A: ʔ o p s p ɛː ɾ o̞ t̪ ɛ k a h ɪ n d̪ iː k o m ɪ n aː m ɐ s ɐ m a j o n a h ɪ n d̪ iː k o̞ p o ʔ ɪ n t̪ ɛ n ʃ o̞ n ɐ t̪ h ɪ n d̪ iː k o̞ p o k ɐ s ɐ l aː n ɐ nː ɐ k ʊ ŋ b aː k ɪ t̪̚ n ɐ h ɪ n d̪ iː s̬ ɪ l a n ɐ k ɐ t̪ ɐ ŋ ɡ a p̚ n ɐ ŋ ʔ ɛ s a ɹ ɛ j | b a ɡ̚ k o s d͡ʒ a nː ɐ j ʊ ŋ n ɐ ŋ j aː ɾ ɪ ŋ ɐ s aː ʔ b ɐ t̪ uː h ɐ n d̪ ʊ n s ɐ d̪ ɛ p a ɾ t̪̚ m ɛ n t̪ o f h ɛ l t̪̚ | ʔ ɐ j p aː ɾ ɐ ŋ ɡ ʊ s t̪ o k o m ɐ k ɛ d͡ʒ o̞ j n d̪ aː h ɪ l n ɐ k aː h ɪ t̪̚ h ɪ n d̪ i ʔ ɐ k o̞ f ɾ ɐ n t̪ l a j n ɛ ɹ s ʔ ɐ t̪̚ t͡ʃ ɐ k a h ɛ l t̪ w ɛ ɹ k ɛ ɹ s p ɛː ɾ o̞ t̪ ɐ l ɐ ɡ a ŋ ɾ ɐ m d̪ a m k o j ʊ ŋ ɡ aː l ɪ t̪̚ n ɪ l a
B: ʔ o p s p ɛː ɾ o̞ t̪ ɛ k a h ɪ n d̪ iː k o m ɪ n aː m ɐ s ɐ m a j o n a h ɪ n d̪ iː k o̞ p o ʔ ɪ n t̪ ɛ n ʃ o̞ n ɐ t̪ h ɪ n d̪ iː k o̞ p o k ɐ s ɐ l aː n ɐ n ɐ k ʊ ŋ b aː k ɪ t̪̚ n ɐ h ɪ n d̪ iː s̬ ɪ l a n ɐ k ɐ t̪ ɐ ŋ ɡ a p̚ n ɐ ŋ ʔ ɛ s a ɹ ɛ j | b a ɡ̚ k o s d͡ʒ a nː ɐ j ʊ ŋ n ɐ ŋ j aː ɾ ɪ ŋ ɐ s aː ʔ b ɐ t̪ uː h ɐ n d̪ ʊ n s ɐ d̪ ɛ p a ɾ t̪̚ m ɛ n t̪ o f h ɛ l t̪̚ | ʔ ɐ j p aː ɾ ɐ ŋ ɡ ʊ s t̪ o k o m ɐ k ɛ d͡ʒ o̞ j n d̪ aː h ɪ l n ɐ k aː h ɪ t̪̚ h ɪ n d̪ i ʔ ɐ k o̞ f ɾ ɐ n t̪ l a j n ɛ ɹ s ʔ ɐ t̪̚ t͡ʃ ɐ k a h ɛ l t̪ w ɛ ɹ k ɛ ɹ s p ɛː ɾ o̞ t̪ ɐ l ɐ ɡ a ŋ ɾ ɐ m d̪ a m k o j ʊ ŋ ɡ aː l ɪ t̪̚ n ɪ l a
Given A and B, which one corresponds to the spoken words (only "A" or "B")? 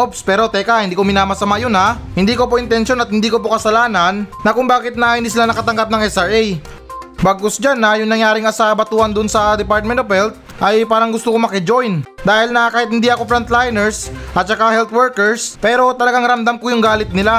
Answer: A